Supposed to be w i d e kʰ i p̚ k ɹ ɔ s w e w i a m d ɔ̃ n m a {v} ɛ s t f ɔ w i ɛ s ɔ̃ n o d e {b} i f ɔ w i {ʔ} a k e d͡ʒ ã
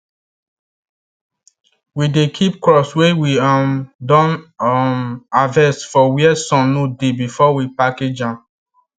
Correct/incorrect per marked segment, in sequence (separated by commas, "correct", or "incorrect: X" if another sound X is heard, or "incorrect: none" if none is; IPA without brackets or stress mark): correct, correct, incorrect: p